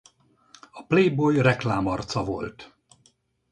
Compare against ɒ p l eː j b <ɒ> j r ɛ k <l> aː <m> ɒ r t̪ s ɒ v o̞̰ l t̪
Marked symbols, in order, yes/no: no, yes, yes

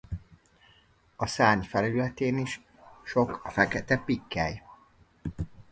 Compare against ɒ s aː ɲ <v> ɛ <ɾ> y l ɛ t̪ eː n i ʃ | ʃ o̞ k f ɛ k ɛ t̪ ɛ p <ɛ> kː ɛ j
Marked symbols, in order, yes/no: no, no, no

